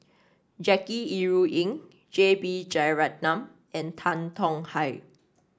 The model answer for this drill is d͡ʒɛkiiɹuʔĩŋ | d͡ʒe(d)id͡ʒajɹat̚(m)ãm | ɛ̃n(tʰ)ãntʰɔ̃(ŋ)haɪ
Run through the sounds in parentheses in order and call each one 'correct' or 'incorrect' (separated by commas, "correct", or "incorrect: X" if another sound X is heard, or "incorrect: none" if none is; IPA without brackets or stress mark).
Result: incorrect: b, incorrect: n, correct, correct